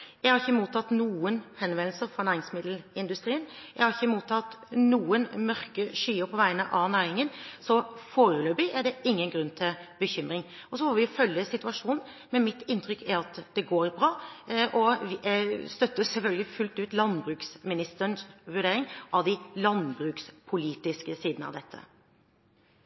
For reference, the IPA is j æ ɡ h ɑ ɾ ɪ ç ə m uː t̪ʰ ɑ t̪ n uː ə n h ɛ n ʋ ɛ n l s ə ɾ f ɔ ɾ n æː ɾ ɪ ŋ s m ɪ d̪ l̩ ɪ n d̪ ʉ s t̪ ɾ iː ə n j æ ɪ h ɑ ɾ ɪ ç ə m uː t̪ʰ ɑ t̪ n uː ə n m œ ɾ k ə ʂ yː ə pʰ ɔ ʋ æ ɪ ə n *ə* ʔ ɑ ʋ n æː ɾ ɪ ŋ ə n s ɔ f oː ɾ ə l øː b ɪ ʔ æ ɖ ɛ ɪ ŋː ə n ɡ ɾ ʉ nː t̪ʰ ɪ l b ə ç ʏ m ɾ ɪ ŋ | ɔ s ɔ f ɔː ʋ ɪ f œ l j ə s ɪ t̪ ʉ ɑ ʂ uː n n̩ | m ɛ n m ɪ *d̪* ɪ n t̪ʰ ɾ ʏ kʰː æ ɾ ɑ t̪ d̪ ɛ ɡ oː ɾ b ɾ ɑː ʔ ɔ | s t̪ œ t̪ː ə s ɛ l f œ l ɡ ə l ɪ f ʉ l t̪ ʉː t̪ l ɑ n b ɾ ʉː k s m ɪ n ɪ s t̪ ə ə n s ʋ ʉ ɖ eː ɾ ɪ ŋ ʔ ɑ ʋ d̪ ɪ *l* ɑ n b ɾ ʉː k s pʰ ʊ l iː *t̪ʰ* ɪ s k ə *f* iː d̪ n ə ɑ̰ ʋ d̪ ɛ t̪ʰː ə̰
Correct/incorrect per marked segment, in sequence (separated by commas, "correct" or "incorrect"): correct, incorrect, correct, incorrect, incorrect